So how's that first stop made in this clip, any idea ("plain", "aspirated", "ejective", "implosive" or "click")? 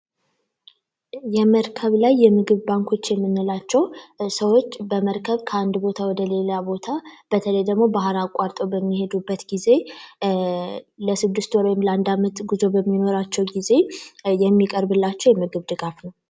aspirated